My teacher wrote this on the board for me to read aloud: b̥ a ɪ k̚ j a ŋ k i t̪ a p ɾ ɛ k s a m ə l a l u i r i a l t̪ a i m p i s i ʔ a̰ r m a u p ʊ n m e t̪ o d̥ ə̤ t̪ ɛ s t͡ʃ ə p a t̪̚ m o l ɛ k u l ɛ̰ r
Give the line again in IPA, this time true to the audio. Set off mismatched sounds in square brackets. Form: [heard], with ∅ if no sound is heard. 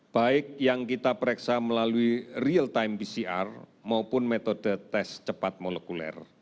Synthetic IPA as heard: b̥ a ɪ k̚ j a ŋ k i t̪ a p ɾ ɛ k s a m ə l a l u i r i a l t̪ a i m p i s i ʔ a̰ r m a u p ʊ n m e t̪ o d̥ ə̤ t̪ ɛ s t͡ʃ ə p a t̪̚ m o l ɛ k u l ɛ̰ r

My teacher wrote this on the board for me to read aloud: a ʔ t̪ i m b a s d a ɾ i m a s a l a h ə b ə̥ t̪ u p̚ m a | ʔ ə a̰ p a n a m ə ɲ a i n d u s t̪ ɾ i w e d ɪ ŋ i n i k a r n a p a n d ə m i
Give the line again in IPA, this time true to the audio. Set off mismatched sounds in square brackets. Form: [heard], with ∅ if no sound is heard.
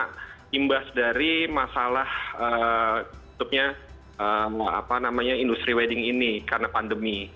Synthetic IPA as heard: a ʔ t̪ i m b a s d a ɾ i m a s a l a h ə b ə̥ t̪ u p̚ [ɲ] a | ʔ ə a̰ p a n a m [a] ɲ a i n d u s t̪ ɾ i w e d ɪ ŋ i n i k a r n a p a n d ə m i

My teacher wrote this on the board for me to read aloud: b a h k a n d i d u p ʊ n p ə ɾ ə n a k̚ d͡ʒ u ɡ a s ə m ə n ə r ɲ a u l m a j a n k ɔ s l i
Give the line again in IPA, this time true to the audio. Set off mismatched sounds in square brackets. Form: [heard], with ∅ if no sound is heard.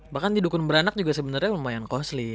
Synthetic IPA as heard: b a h k a n d i d u [k] ʊ n [b] ə ɾ [a] n a k̚ d͡ʒ u ɡ a s ə [b] ə n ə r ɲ a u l m a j a n k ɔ s l i

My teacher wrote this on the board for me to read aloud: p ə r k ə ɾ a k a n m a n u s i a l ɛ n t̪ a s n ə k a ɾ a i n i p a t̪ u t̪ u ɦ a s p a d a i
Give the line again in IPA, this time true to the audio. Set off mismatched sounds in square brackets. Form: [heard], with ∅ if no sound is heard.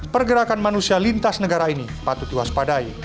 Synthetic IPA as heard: p ə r [ɡ] ə ɾ a k a n m a n u s i a l [i] n t̪ a s n ə [ɡ] a ɾ a i n i p a t̪ u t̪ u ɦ a s p a d a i

